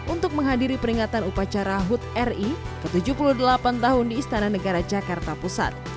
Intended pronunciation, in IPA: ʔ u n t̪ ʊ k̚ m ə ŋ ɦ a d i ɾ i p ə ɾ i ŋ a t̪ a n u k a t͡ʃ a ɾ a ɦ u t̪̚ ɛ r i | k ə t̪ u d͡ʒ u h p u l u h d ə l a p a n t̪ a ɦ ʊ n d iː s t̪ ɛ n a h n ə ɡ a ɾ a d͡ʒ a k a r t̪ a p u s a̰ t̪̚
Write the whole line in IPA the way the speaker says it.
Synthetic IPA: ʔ u n t̪ ʊ k̚ m ə ŋ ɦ a d i ɾ i p ə ɾ i ŋ a t̪ a n u p a t͡ʃ a ɾ a ɦ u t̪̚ ɛ r i | k ə t̪ u d͡ʒ u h p u l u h d ə l a p a n t̪ a ɦ ʊ n d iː s t̪ a n a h n ə ɡ a ɾ a d͡ʒ a k a r t̪ a p u s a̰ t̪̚